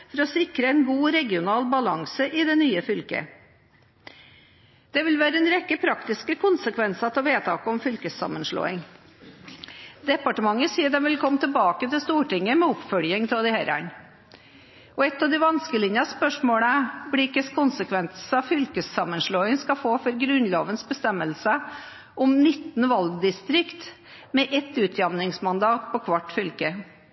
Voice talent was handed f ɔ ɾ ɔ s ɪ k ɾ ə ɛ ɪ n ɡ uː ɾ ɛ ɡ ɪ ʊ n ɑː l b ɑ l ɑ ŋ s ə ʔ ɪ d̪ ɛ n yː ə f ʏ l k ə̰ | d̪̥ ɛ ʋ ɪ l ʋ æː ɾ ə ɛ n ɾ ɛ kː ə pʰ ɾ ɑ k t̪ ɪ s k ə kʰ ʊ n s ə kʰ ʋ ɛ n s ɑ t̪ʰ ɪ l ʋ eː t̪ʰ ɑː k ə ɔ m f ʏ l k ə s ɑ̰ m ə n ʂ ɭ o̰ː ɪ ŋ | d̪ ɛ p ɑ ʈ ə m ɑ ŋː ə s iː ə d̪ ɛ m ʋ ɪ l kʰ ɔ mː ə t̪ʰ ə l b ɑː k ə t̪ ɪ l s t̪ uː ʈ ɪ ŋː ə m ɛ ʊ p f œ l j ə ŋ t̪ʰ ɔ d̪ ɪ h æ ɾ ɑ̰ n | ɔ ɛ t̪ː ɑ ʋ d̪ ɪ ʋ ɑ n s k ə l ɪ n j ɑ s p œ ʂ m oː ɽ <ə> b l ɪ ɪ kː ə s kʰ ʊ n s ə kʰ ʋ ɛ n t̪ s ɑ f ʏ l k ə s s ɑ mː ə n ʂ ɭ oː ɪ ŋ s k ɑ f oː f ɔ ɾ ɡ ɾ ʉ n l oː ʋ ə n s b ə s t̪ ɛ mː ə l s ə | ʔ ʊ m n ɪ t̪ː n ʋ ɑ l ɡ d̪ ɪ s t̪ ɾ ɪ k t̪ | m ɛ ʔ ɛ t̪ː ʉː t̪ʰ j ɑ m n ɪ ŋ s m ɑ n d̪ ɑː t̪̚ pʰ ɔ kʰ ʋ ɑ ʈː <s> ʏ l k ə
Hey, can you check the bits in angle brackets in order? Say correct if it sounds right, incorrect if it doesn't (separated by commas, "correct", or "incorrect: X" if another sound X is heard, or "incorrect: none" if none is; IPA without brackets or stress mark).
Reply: correct, incorrect: f